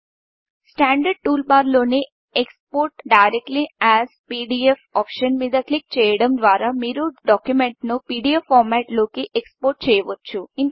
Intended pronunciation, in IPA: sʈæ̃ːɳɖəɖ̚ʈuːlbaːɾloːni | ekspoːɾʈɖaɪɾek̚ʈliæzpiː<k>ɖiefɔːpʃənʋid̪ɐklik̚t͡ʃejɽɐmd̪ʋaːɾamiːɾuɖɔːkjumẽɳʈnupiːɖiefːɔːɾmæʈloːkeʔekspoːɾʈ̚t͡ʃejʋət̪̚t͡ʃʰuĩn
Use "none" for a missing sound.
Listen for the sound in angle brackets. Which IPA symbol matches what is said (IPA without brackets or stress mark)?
none